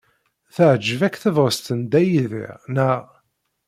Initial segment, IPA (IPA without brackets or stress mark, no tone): θ